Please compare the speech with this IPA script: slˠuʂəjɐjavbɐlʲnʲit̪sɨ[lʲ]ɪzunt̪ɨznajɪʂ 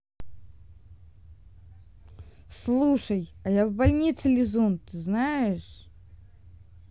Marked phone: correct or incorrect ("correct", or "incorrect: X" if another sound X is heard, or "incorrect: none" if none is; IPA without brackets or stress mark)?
correct